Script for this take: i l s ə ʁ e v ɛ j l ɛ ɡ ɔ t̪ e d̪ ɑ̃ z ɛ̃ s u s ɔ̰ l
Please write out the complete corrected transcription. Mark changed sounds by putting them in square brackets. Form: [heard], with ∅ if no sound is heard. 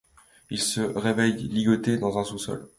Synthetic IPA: i l s ə ʁ e v ɛ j l [i] ɡ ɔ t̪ e d̪ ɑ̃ z ɛ̃ s u s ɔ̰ l